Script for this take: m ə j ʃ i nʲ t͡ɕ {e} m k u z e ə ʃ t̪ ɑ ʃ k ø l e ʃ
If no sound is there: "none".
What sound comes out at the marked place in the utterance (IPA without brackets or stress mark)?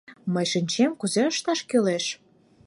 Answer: e